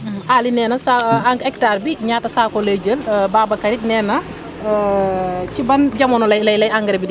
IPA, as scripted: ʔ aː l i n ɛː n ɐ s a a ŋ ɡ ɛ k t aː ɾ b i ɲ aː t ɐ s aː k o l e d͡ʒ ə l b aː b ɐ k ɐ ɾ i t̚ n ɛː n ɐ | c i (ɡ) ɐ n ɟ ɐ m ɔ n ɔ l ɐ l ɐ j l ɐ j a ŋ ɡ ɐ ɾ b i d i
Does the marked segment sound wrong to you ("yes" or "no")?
yes